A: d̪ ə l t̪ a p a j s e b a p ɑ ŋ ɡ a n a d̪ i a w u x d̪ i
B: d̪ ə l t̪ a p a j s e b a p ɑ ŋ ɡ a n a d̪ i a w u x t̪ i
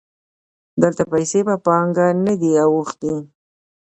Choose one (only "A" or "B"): B